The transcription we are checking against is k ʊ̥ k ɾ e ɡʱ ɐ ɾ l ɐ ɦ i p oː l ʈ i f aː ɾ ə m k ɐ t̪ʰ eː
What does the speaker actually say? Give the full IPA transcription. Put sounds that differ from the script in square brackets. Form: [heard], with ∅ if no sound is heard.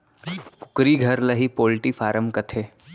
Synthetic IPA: k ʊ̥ k ɾ [i] ɡʱ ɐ ɾ l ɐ ɦ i p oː l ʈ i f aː ɾ ə m k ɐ t̪ʰ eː